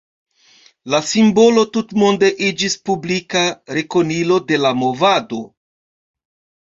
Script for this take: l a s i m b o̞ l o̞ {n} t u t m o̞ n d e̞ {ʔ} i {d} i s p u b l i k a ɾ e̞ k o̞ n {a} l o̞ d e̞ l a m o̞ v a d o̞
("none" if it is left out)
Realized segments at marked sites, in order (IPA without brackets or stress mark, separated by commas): none, ʔ, d͡ʒ, i